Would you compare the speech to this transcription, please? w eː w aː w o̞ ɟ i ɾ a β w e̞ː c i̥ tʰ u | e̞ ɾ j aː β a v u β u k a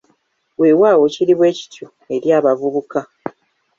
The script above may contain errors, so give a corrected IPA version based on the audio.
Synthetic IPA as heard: w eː w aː w o̞ c i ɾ i β w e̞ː c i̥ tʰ u | e̞ ɾ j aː β a v u β u k a